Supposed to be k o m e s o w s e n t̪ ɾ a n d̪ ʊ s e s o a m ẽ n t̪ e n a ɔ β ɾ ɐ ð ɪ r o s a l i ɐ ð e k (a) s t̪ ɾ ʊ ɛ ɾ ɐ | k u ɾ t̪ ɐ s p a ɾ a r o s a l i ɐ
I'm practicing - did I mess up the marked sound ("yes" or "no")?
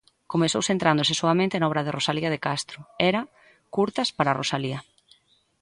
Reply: no